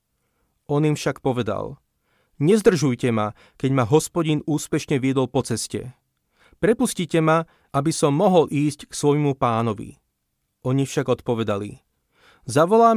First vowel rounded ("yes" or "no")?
yes